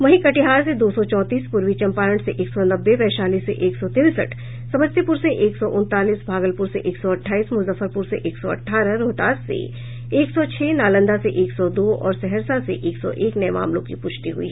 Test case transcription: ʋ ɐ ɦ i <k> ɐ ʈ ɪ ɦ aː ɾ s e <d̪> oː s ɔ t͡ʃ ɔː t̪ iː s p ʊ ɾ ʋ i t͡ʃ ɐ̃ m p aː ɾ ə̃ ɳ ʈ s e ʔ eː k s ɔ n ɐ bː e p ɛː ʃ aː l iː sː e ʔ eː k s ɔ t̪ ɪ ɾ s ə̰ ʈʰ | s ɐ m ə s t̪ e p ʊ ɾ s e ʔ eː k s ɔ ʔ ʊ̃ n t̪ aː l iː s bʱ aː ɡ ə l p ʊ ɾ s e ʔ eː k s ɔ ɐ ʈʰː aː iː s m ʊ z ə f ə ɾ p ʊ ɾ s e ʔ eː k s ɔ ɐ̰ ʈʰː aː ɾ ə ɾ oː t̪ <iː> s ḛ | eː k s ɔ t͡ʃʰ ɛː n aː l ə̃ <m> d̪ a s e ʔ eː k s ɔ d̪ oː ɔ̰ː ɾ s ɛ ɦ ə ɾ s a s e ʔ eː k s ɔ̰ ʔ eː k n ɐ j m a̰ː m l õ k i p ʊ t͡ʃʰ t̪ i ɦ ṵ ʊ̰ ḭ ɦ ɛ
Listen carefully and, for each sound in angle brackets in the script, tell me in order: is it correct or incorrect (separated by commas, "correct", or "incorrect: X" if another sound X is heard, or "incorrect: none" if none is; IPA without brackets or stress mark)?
correct, correct, incorrect: aː, incorrect: n